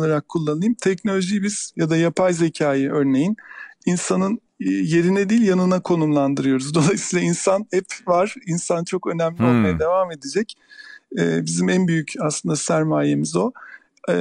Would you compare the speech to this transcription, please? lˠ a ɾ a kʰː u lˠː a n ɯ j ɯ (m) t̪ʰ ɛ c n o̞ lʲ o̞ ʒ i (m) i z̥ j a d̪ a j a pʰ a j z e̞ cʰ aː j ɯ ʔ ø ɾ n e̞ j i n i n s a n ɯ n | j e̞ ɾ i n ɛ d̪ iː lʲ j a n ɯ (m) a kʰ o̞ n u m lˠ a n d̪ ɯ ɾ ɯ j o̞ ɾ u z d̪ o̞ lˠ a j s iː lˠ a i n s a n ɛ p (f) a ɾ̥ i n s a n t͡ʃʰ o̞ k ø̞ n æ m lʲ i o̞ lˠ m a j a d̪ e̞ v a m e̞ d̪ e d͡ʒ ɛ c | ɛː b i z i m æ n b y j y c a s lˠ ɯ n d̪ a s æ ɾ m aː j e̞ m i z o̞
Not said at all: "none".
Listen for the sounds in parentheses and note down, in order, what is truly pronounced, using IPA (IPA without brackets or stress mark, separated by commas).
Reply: m, b, n, v